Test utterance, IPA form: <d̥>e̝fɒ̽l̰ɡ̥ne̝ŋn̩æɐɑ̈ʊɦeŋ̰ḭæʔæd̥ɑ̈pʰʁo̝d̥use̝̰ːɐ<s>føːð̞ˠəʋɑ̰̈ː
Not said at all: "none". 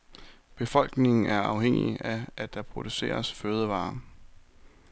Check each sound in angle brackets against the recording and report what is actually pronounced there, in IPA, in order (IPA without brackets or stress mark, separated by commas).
b̥, s